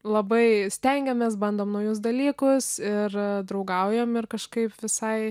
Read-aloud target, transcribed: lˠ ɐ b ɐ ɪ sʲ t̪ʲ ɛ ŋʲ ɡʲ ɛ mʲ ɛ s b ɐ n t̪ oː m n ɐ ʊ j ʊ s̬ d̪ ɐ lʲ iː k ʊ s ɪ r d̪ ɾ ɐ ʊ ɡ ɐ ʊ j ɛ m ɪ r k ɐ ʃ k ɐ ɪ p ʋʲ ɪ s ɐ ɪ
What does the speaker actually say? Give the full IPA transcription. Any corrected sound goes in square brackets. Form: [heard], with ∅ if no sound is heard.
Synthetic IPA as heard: lˠ ɐ b ɐ ɪ sʲ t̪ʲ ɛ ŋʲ ɡʲ ɛ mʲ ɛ s b ɐ n [d̪] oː m n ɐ ʊ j ʊ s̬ d̪ ɐ lʲ iː k ʊ s ɪ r d̪ ɾ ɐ ʊ ɡ ɐ ʊ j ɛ m ɪ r k ɐ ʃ k ɐ ɪ p ʋʲ ɪ s ɐ ɪ